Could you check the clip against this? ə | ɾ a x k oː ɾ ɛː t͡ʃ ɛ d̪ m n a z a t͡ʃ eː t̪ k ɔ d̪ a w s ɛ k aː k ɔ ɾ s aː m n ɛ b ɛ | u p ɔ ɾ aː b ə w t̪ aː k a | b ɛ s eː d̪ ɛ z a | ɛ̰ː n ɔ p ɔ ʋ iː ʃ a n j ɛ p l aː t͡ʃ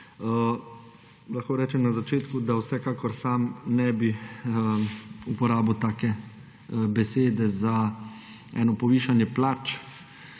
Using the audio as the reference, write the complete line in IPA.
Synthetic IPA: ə | l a x k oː ɾ ɛː t͡ʃ ɛ m n a z a t͡ʃ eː t̪ k u d̪ a w s ɛ k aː k ɔ ɾ s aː m n ɛ b i | u p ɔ ɾ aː b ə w t̪ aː k ɛ | b ɛ s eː d̪ ɛ z a | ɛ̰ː n ɔ p ɔ ʋ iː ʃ a n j ɛ p l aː t͡ʃ